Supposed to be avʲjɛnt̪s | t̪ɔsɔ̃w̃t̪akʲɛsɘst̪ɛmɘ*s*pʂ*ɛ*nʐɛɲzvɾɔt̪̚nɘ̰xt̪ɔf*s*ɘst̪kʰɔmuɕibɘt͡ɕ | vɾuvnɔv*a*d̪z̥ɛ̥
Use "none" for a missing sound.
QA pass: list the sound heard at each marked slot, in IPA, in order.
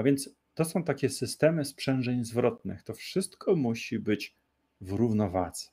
s, ɛ, ʂ, a

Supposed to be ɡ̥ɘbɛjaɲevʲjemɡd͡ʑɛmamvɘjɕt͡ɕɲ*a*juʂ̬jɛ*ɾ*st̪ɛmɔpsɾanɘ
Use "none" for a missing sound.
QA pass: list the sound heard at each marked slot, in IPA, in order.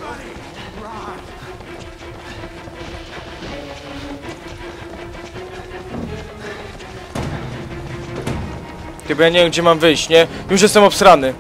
ɛ, none

